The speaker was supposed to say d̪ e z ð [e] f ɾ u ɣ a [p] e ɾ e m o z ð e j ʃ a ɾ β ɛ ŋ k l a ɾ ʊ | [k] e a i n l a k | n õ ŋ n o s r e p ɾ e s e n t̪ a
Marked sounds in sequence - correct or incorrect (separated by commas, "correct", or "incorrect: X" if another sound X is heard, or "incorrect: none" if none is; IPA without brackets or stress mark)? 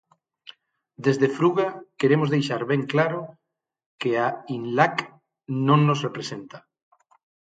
correct, incorrect: k, correct